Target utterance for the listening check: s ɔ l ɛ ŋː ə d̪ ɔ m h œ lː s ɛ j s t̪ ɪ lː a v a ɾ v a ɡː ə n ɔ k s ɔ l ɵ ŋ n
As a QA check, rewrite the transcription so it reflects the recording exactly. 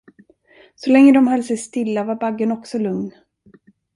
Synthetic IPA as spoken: s ɔ l ɛ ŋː ə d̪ ɔ m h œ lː s ɛ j s t̪ ɪ lː a v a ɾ b a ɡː ə n ɔ k s ɔ l ɵ ŋ n

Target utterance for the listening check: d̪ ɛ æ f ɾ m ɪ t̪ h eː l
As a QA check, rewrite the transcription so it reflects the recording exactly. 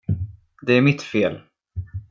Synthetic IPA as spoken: d̪ ɛ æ ɾ m ɪ t̪ f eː l

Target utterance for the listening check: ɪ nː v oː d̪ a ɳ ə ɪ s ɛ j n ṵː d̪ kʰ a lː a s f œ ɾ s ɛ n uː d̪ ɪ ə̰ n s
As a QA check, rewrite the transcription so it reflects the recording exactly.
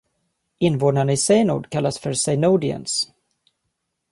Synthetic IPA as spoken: ɪ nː v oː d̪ a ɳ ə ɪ s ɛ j n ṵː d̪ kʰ a lː a s f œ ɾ s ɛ n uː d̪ ɪ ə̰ n s

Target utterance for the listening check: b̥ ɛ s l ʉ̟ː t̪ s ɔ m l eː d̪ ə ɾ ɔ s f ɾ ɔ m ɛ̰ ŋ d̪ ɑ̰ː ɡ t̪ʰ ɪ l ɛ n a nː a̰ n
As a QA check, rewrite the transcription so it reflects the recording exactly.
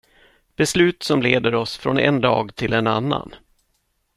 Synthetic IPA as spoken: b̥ ɛ s l ʉ̟ː t̪ s ɔ m l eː d̪ ə ɾ ɔ s f ɾ ɔ n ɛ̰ n d̪ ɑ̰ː ɡ t̪ʰ ɪ l ɛ n a nː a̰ n

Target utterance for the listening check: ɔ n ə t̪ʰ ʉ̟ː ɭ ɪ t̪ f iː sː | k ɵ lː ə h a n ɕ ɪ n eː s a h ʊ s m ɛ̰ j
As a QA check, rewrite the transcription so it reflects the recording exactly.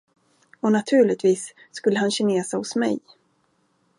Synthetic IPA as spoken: ɔ n a t̪ʰ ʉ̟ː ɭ ɪ t̪ v iː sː | k ɵ lː ə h a n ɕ ɪ n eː s a h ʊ s m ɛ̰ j

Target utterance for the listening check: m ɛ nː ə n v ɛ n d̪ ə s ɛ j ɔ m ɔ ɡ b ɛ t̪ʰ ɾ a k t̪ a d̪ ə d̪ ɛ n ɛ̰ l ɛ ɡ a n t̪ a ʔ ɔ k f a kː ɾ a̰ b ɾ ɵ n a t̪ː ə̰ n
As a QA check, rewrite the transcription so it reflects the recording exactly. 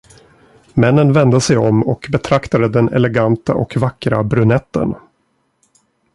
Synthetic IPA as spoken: m ɛ nː ə n v ɛ n d̪ ə s ɛ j ɔ m ɔ k b ɛ t̪ʰ ɾ a k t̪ a d̪ ə d̪ ɛ n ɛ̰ l ɛ ɡ a n t̪ a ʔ ɔ k v a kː ɾ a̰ b ɾ ɵ n ɛ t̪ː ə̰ n

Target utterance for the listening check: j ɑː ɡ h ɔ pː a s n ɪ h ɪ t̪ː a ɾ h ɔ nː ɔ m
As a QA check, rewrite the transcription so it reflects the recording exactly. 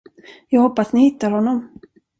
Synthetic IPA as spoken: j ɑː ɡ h ɔ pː a s n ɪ h ɪ t̪ː a ɾ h ɔ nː ɔ m

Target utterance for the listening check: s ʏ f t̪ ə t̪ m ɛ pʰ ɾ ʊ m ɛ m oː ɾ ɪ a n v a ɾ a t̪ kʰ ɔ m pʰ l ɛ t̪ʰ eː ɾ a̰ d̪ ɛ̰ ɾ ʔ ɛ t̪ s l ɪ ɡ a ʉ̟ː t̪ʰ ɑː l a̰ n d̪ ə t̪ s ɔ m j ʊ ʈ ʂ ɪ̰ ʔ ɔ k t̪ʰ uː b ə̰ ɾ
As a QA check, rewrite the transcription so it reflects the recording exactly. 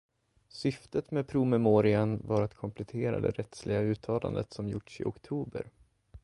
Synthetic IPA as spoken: s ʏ f t̪ ə t̪ m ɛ pʰ ɾ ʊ m ɛ m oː ɾ ɪ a n v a ɾ a t̪ kʰ ɔ m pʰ l ɛ t̪ʰ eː ɾ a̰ d̪ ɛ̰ ɾ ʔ ɛ t̪ s l ɪ ɡ a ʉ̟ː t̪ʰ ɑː l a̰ n d̪ ə t̪ s ɔ m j ʊ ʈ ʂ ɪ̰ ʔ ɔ k t̪ʰ uː b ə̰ ɾ

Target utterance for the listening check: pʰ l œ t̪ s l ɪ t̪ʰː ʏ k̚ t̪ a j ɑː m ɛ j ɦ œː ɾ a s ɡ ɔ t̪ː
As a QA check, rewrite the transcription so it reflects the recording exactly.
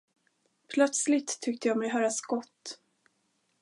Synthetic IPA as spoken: pʰ l œ t̪ s l ɪ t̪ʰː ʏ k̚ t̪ ə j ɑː m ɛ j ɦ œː ɾ a s ɡ ɔ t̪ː

